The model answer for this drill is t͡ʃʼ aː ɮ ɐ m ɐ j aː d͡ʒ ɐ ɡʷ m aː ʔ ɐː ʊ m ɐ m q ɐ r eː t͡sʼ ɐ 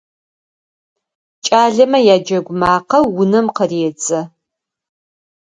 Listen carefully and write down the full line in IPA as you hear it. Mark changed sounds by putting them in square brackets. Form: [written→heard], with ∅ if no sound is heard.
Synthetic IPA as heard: t͡ʃʼ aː ɮ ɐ m ɐ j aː d͡ʒ ɐ ɡʷ m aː [ʔ→q] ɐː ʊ [m→n] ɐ m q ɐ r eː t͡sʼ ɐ